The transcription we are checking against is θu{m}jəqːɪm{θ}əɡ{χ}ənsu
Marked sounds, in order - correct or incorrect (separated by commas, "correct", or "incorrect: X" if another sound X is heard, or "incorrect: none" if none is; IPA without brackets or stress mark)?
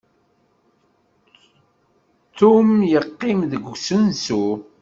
correct, incorrect: ð, incorrect: s